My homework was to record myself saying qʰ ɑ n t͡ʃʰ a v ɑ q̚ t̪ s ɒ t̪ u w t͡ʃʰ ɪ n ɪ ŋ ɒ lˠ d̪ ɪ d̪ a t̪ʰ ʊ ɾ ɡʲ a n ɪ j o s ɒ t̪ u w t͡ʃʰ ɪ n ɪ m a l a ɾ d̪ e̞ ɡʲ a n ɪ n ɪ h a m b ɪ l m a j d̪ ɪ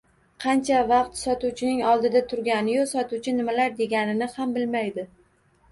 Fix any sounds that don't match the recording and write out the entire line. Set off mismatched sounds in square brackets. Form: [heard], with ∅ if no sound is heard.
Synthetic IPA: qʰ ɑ n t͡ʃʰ a v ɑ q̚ t̪ s ɒ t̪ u w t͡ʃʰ ɪ n ɪ ŋ ɒ lˠ d̪ ɪ d̪ a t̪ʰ ʊ ɾ ɡʲ a n ɪ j o s ɒ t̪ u w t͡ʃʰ ɪ n ɪ m a l a ɾ d̪ e̞ ɡʲ a n ɪ n ɪ h a m b ɪ l m a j d̪ ɪ